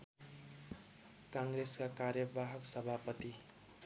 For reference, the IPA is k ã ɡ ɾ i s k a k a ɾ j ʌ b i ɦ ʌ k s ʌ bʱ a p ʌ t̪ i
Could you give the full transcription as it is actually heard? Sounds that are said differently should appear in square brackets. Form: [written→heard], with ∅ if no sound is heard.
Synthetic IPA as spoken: k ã [ɡ→ŋ] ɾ [i→e] s k a k a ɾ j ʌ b [i→a] ɦ ʌ k s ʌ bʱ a p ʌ t̪ i